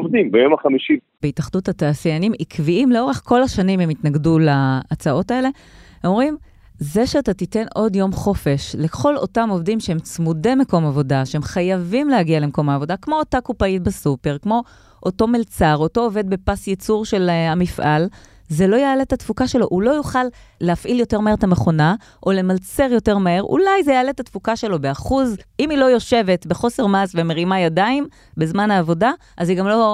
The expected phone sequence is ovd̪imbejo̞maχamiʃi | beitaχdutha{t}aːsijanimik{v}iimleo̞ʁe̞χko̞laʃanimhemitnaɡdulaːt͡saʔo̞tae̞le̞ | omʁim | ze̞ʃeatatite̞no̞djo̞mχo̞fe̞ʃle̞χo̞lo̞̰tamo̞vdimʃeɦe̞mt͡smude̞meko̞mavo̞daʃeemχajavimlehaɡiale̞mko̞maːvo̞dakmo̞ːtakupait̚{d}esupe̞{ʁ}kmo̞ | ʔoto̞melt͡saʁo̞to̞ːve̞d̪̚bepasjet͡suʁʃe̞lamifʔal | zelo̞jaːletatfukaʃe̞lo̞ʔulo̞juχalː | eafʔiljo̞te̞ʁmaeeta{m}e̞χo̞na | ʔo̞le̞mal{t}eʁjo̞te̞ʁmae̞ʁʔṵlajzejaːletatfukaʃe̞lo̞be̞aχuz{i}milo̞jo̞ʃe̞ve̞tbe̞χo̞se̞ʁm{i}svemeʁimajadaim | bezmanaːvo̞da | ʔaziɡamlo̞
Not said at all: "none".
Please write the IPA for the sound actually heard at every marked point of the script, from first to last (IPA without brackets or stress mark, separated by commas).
t, v, b, ʁ, m, t͡s, i, a